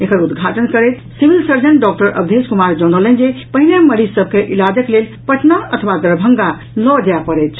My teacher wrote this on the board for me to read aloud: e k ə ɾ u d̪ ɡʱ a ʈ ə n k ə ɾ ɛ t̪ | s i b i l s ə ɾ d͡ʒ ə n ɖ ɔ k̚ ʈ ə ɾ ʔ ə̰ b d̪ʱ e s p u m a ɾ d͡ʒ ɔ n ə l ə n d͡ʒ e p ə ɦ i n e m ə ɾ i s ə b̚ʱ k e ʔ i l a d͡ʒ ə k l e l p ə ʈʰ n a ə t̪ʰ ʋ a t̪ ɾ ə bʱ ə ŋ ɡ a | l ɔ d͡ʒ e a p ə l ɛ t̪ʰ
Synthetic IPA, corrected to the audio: e k ə ɾ u d̪ ɡʱ a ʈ ə n k ə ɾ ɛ t̪ | s i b i l s ə ɾ d͡ʒ ə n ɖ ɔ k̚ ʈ ə ɾ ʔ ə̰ b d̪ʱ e s k u m a ɾ d͡ʒ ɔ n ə l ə n d͡ʒ e p ə ɦ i n e m ə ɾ i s ə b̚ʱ k e ʔ i l a d͡ʒ ə k l e l p ə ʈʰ n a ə t̪ʰ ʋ a d̪ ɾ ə bʱ ə ŋ ɡ a | l ɔ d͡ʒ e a p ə ɾ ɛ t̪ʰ